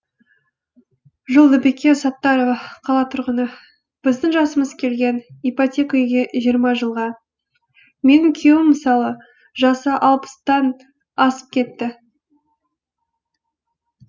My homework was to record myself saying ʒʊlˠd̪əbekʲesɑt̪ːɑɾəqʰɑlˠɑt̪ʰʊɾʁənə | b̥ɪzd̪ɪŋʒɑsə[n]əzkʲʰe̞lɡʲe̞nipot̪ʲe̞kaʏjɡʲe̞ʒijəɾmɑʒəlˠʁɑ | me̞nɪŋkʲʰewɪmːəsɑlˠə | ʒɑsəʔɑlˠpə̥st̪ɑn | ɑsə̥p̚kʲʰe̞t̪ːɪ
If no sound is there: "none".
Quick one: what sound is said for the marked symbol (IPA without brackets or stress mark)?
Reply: m